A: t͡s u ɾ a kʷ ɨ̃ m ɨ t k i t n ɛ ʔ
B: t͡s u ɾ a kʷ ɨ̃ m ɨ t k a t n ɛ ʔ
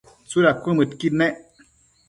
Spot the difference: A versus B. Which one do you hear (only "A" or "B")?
A